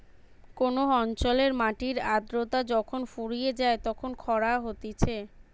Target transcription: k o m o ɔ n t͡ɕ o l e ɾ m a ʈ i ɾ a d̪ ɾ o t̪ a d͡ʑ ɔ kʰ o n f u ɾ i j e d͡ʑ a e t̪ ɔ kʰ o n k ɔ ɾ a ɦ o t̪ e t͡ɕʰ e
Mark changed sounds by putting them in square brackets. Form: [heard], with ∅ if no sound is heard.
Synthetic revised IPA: k o [n] o ɔ n t͡ɕ o l e ɾ m a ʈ i ɾ a d̪ ɾ o t̪ a d͡ʑ ɔ kʰ o n f u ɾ i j e d͡ʑ a e t̪ ɔ kʰ o n [kʰ] ɔ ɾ a ɦ o t̪ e t͡ɕʰ e